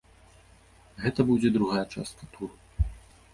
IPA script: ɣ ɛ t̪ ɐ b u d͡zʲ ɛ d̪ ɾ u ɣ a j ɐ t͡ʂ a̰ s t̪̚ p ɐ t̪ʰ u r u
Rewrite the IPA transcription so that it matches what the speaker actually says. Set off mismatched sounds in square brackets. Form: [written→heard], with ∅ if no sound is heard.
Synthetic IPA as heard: ɣ ɛ t̪ ɐ b u d͡zʲ ɛ d̪ ɾ u ɣ a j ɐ t͡ʂ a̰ s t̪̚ [p→k] ɐ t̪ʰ u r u